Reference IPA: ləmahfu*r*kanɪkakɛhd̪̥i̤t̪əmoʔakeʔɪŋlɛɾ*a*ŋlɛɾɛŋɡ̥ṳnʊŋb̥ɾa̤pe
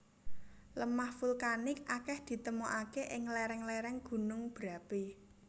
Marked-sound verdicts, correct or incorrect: incorrect, incorrect

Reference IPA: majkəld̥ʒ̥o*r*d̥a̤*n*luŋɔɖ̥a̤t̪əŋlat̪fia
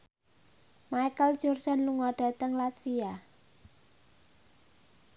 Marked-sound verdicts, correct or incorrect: correct, correct

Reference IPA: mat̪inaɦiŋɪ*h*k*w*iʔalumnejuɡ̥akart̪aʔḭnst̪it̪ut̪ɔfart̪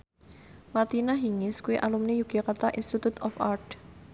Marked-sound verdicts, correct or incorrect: incorrect, incorrect

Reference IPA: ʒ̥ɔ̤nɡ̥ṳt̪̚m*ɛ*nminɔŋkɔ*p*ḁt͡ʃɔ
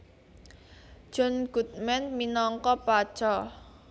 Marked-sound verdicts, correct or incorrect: correct, correct

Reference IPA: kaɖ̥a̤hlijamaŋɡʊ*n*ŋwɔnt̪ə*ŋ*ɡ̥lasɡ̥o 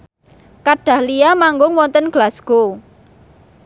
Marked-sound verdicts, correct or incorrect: incorrect, incorrect

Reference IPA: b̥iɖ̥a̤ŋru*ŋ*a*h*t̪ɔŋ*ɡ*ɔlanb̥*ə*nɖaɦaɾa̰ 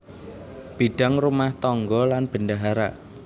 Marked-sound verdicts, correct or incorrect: incorrect, correct, correct, correct

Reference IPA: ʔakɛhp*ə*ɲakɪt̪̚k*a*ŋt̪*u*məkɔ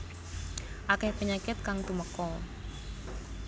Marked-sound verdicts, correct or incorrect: correct, correct, correct

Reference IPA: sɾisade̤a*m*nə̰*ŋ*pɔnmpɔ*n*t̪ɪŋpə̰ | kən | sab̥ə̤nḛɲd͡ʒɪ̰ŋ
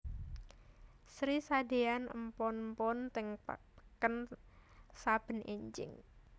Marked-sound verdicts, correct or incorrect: incorrect, incorrect, correct

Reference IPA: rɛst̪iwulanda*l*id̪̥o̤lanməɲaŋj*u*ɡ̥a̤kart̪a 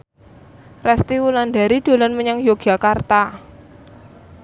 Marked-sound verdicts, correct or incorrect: incorrect, incorrect

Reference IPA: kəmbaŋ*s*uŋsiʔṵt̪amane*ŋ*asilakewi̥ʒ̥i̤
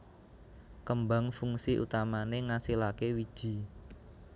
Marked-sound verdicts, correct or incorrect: incorrect, correct

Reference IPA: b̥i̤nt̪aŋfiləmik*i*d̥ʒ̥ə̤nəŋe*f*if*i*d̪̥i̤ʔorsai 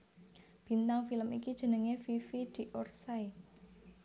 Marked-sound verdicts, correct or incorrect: correct, correct, correct

